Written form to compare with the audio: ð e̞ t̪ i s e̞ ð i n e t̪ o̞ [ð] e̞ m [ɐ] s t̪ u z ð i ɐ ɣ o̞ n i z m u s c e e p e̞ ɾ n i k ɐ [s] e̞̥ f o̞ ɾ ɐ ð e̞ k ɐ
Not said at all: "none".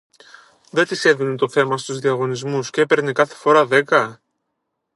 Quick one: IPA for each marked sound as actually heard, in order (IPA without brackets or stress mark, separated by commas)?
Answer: θ, ɐ, θ